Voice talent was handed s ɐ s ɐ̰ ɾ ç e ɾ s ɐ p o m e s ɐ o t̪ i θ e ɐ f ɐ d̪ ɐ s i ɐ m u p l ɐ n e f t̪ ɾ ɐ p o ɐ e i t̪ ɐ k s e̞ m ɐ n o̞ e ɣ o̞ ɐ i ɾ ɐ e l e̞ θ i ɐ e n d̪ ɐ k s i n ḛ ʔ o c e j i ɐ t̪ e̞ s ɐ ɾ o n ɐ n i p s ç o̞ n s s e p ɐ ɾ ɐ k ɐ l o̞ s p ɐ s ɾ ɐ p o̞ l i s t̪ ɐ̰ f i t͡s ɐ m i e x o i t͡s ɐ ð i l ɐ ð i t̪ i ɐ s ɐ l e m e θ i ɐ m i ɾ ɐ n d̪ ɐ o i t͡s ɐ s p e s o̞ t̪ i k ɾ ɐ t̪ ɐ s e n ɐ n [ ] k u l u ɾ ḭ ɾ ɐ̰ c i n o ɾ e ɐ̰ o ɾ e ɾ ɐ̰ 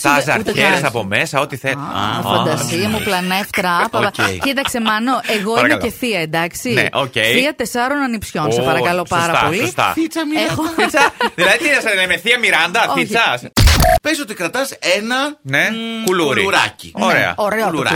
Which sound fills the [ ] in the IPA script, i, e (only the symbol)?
e